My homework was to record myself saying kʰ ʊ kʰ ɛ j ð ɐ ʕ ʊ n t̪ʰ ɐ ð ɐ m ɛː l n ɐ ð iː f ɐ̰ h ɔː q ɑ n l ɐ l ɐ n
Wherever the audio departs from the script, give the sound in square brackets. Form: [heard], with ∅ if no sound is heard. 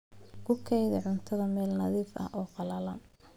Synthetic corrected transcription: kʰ ʊ kʰ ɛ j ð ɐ ʕ ʊ n t̪ʰ ɐ ð ɐ m ɛː l n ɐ ð iː f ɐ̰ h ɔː q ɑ [∅] l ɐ l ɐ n